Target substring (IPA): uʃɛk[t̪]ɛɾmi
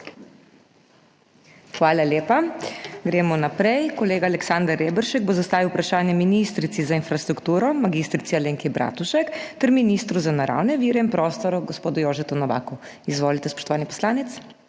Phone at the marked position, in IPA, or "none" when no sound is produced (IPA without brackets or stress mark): t̪